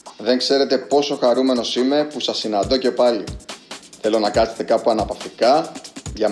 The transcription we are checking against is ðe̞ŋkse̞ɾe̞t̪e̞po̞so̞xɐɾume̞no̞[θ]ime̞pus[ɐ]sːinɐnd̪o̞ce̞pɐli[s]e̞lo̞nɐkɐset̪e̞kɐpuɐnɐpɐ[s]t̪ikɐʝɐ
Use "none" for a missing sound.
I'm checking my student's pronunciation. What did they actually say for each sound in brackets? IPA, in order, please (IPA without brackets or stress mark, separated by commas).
s, ɐ, θ, f